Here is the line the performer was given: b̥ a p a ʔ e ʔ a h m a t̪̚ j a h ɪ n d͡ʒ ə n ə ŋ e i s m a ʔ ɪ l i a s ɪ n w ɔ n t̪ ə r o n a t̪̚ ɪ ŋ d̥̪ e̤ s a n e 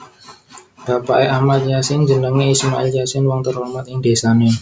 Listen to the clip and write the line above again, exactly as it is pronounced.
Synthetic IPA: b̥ a p a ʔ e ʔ a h m a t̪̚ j a s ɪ n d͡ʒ ə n ə ŋ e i s m a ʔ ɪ l j a s ɪ n w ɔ ŋ t̪ ə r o m a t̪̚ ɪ ŋ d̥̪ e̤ s a n e